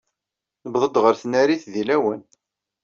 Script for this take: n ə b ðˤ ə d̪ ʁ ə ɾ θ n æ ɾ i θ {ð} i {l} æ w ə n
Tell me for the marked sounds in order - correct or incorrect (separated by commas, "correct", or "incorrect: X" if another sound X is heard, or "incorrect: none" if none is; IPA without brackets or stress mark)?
correct, correct